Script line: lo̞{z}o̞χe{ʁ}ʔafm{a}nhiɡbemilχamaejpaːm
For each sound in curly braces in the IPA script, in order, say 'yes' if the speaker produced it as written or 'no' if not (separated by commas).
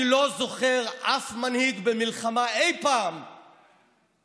yes, yes, yes